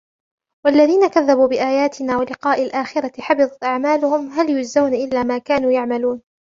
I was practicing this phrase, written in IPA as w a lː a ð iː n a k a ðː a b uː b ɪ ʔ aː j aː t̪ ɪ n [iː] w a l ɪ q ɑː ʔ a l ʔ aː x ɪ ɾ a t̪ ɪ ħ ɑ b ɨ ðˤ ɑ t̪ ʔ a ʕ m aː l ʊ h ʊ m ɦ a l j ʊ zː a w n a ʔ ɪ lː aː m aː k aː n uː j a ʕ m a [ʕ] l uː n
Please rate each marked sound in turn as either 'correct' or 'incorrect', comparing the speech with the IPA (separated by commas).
incorrect, incorrect